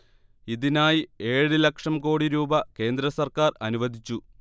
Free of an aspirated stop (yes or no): yes